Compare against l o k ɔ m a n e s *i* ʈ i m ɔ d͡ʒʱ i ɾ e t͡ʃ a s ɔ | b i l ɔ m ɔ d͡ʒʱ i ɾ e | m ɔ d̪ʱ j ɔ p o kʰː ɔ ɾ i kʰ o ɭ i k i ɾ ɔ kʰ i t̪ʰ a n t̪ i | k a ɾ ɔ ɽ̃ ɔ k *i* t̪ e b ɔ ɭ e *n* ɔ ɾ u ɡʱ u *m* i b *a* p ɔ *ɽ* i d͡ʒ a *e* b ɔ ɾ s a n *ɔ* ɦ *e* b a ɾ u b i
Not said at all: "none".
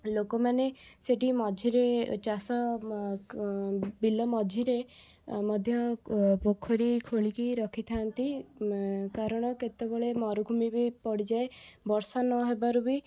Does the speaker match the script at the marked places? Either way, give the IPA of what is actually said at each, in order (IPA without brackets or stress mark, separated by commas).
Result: e, e, m, m, i, ɽ, e, ɔ, e